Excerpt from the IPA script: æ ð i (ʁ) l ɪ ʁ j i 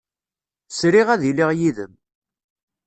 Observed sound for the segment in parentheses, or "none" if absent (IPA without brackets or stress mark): none